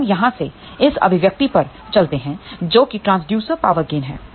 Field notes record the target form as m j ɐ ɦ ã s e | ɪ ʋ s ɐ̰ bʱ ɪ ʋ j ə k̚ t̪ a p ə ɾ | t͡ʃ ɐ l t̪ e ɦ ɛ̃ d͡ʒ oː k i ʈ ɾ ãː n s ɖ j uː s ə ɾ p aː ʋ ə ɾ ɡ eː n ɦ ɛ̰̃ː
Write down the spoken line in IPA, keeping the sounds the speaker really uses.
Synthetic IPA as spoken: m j ɐ ɦ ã s e | ɪ s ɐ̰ bʱ ɪ ʋ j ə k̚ t̪ i p ɐ ɾ | t͡ʃ ɐ l t̪ e ɦ ɛ̃ d͡ʒ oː k i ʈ ɾ ãː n s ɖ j uː s ə ɾ p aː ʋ ə ɾ ɡ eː n ɦ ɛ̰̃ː